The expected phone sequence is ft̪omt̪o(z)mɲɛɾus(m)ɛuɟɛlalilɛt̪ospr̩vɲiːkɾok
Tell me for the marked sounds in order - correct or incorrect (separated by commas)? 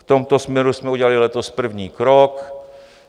incorrect, correct